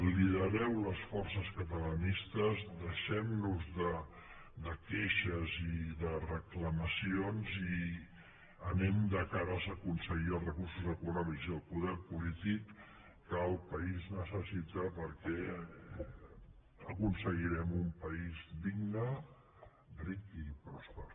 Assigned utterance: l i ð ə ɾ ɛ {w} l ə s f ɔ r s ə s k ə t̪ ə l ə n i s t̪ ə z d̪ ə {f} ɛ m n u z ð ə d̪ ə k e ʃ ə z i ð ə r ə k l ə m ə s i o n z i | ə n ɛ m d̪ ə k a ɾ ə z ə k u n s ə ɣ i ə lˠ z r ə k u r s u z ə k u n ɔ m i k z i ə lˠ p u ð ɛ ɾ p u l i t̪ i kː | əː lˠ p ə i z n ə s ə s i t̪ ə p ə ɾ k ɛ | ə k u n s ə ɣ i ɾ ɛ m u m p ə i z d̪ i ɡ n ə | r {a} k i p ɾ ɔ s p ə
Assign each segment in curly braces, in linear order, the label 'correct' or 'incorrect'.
correct, incorrect: ʃ, incorrect: i

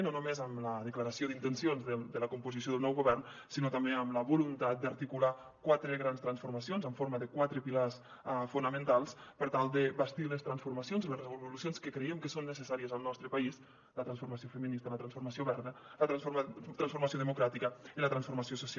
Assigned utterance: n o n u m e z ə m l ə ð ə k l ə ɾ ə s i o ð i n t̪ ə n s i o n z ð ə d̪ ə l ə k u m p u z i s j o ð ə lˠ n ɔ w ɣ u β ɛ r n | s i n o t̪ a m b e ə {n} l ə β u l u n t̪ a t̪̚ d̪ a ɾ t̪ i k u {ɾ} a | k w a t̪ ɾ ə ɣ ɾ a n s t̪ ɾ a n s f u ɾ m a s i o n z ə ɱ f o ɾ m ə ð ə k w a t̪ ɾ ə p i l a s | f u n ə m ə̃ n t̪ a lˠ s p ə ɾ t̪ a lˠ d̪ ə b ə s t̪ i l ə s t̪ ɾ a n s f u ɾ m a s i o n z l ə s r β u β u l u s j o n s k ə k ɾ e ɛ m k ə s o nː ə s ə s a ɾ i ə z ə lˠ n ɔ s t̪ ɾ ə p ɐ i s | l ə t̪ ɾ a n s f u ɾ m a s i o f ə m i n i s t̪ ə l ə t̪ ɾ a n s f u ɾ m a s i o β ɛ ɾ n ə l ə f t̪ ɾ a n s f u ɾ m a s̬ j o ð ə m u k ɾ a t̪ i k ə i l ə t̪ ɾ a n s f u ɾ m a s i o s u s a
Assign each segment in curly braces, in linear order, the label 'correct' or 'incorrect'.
incorrect: m, incorrect: l

